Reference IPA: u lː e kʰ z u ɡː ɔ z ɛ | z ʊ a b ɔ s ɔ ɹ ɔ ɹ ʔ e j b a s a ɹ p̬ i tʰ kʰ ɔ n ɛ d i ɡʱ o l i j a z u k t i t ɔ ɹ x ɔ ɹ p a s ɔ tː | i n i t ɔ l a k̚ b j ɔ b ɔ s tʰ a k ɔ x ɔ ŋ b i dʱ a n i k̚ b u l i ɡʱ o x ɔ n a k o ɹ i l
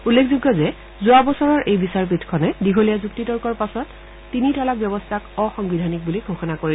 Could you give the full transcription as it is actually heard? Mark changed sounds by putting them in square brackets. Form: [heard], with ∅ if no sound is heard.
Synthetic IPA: u lː e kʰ z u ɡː ɔ z ɛ | z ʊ a b ɔ s ɔ ɹ ɔ ɹ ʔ e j b [i] s a ɹ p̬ i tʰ kʰ ɔ n ɛ d i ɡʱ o l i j a z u k t i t ɔ ɹ [k] ɔ ɹ p a s ɔ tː | i n i t ɔ l a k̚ b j ɔ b ɔ s tʰ a k ɔ x ɔ ŋ b i dʱ a n i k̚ b u l i ɡʱ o x ɔ n a k o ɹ i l